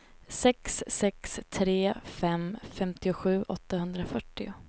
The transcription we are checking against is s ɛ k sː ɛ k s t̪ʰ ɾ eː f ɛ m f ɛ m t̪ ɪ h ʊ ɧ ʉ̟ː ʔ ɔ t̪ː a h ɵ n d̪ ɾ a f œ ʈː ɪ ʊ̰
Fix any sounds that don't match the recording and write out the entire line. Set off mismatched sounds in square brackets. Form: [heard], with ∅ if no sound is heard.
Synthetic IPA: s ɛ k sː ɛ k s t̪ʰ ɾ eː f ɛ m f ɛ m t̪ ɪ [∅] ʊ ɧ ʉ̟ː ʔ ɔ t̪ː a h ɵ n d̪ ɾ a f œ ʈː ɪ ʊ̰